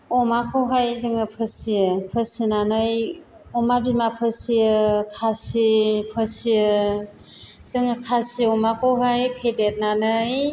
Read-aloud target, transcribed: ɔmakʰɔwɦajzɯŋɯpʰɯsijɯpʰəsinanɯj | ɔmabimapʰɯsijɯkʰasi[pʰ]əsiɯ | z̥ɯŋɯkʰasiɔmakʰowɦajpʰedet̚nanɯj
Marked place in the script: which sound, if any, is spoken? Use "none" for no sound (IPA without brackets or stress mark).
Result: pʰ